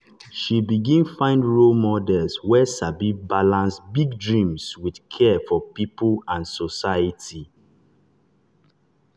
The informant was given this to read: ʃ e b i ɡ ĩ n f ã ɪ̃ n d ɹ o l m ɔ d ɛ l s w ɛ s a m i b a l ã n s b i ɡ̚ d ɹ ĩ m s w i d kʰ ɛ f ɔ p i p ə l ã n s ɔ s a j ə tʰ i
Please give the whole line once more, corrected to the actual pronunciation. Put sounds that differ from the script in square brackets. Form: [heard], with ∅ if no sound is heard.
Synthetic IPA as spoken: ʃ [i] b i ɡ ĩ n f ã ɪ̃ n d ɹ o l m ɔ d ɛ l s w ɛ s a [b] i b a l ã n s b i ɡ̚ d ɹ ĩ m s w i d kʰ ɛ f ɔ p i p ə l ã n s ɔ s a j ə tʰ i